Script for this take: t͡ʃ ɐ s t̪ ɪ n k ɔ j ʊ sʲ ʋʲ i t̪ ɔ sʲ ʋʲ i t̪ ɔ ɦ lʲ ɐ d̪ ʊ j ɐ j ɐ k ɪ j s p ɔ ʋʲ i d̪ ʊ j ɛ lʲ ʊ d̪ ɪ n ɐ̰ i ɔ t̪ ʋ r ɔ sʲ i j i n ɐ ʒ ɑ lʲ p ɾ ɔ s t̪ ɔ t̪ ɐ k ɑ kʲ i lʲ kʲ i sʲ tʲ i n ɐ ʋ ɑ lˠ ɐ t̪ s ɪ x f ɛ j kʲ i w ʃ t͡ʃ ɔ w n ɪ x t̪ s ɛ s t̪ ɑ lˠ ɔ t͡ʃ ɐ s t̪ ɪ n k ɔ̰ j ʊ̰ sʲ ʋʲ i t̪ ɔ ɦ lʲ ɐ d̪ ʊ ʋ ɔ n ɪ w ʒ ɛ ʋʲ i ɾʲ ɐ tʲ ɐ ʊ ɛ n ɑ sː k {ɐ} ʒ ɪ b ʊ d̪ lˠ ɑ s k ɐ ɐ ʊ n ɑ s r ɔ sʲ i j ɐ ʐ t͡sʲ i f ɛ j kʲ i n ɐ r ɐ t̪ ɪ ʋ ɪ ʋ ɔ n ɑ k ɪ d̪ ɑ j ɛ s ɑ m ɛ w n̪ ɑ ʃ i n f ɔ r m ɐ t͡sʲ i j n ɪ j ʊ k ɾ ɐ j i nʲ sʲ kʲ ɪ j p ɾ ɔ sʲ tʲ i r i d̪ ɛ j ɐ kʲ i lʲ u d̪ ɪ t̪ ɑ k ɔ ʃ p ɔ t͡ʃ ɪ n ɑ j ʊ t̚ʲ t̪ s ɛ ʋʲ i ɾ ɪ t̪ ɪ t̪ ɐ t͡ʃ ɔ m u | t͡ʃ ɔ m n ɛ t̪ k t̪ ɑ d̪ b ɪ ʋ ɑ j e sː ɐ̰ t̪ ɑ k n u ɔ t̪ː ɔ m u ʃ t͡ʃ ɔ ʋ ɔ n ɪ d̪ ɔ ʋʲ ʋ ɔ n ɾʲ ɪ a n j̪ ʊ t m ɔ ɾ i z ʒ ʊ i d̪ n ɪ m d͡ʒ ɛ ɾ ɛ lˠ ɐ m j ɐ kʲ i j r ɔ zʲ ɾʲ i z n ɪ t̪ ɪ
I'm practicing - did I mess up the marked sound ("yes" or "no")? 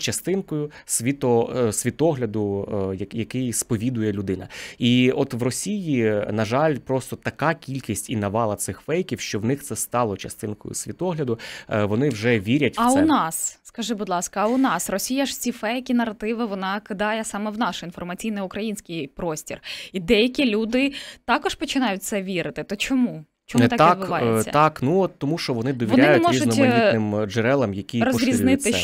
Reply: no